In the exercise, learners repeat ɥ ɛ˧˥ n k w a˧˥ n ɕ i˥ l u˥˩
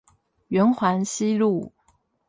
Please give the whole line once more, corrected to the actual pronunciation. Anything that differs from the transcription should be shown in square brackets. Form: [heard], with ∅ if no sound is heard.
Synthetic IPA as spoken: ɥ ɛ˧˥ n [x] w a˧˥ n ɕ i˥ l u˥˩